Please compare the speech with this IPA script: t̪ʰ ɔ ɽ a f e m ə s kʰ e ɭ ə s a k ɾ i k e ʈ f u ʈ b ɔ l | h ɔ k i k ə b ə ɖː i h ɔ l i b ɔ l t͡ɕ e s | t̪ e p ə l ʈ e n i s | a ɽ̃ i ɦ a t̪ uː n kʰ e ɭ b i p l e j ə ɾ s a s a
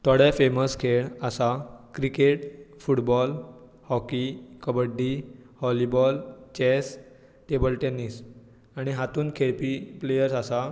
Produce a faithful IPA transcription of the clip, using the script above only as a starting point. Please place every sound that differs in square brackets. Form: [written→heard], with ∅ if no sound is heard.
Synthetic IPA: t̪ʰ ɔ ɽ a f e m ə s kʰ e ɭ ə s a k ɾ i k e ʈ f u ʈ b ɔ l | h ɔ k i k ə b ə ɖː i h ɔ l i b ɔ l t͡ɕ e s | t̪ e [p→b] ə l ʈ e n i s | a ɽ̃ i ɦ a t̪ uː n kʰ e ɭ [b→p] i p l e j ə ɾ s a s a